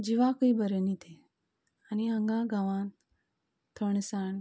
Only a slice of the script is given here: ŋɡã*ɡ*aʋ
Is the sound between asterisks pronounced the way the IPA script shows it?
yes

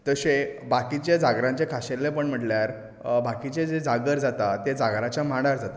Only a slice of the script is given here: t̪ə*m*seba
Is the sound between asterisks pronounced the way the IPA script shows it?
no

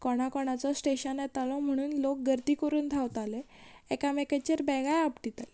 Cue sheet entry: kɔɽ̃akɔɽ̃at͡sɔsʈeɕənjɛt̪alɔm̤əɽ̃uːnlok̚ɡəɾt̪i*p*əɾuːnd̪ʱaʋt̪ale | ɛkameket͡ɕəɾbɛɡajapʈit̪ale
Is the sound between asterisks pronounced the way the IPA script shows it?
no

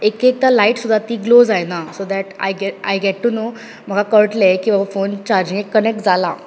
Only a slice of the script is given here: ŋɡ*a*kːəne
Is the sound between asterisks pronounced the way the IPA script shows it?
no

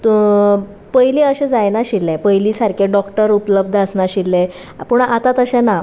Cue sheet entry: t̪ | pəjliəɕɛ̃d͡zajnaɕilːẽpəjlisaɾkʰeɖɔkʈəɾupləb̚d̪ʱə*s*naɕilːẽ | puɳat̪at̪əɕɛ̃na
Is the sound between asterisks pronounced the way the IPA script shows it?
yes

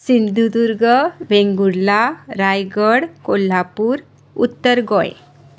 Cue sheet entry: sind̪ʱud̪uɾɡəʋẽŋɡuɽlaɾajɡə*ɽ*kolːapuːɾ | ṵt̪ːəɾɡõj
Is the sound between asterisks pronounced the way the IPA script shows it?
yes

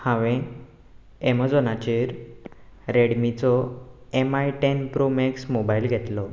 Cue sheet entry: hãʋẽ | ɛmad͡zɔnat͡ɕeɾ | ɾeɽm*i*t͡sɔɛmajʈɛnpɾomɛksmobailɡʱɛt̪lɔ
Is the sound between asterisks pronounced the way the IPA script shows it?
yes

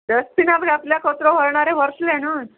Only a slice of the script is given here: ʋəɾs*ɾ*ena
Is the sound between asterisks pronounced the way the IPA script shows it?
no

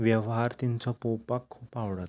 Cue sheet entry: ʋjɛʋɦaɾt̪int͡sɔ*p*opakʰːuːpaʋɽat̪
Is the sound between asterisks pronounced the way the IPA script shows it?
yes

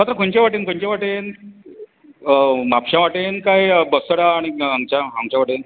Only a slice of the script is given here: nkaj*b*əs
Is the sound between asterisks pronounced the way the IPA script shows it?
yes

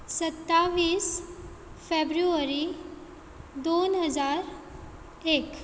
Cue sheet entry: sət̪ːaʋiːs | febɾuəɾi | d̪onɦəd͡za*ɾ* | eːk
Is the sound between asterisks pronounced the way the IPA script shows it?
yes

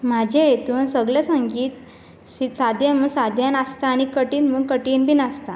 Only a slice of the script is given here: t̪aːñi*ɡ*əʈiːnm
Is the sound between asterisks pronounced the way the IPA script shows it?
no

